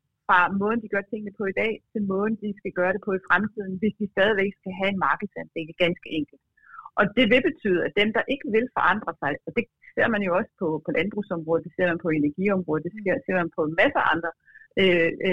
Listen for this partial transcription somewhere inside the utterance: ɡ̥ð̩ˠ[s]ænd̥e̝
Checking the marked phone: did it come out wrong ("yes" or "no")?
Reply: no